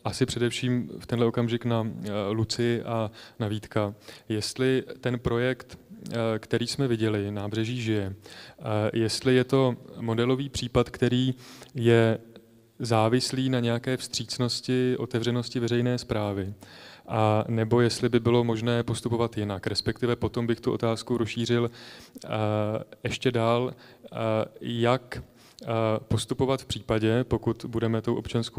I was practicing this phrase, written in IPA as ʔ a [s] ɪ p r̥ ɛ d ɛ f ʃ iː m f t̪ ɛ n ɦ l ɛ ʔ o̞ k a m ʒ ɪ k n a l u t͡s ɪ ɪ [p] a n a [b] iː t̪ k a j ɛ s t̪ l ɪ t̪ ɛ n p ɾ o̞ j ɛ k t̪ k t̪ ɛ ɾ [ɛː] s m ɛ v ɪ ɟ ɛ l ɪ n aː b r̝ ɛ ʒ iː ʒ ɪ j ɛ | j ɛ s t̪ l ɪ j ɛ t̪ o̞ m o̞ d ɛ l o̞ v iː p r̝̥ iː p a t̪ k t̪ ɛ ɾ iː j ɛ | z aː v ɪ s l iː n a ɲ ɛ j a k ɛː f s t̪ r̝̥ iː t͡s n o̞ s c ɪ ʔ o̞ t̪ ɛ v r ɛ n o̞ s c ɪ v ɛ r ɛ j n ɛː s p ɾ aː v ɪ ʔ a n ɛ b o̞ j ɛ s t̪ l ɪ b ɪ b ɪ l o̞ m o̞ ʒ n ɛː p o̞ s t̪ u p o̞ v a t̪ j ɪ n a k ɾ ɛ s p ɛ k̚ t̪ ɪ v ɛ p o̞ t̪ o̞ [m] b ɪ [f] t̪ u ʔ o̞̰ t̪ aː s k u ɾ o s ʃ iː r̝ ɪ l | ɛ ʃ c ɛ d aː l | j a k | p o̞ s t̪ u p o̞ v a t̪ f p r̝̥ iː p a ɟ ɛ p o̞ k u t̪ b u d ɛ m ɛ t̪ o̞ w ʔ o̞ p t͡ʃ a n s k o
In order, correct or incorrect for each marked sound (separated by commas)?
correct, incorrect, incorrect, incorrect, correct, incorrect